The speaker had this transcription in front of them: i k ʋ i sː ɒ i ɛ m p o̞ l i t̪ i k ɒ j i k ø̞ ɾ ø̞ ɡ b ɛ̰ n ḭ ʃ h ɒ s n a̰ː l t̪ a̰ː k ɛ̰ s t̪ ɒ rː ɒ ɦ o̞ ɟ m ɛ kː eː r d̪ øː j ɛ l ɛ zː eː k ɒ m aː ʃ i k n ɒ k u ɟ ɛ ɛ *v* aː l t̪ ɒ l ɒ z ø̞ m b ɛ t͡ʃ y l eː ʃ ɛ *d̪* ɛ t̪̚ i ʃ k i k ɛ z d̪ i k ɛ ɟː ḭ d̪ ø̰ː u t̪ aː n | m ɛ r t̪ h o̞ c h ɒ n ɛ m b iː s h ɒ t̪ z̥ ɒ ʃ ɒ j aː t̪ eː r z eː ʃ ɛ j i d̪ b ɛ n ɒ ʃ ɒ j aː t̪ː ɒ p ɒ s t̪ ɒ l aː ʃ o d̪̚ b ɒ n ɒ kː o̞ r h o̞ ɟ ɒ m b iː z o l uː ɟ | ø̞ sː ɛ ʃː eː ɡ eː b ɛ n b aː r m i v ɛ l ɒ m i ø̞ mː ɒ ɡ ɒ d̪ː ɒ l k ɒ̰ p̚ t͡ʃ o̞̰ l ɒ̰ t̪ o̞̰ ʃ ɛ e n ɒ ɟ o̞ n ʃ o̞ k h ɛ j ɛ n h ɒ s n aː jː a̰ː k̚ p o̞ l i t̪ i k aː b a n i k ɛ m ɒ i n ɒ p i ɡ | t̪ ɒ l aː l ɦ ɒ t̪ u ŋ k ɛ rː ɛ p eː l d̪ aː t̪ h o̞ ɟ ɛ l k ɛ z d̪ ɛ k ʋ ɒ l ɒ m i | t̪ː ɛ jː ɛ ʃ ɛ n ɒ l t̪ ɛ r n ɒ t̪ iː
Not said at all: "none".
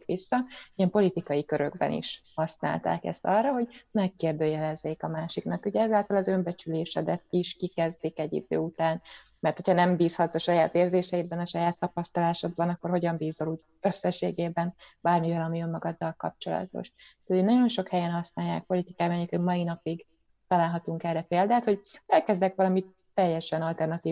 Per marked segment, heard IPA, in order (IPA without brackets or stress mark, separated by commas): z, d̪